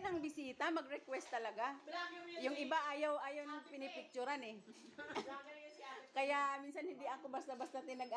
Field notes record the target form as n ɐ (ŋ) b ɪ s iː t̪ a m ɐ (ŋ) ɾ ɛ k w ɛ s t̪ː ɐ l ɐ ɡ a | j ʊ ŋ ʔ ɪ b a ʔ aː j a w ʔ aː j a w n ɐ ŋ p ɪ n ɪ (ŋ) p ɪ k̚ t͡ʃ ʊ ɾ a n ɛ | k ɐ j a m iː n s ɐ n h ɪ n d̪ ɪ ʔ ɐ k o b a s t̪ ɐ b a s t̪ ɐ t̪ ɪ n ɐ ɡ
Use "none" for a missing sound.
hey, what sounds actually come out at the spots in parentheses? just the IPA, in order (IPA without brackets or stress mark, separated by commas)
ŋ, ɡ, none